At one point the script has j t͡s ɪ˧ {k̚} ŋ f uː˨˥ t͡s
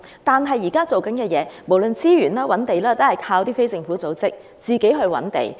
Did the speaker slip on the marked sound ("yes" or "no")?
yes